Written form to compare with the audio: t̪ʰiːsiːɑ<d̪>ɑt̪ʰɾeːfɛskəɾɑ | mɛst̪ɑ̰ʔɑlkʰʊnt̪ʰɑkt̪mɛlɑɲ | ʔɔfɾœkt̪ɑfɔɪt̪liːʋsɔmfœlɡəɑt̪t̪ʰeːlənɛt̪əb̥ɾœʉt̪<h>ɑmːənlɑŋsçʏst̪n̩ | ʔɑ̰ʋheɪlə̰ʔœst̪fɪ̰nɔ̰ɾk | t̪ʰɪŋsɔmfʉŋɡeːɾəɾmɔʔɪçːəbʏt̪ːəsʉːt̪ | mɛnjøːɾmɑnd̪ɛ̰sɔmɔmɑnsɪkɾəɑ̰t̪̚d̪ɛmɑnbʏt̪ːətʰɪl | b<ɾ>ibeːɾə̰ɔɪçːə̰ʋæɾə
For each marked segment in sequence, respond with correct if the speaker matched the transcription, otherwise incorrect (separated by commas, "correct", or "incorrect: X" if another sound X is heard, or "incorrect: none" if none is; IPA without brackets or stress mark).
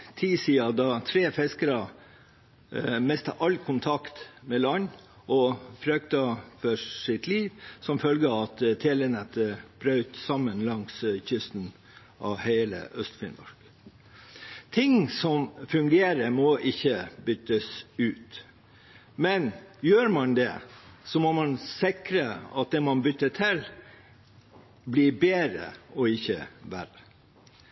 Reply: correct, incorrect: s, incorrect: l